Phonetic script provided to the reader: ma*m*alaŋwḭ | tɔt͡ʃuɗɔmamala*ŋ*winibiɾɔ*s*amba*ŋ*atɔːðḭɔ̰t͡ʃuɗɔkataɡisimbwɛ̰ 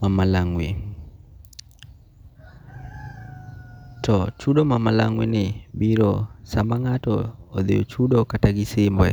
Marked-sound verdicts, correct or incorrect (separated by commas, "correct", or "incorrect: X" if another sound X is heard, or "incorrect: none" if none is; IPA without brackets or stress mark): correct, correct, correct, correct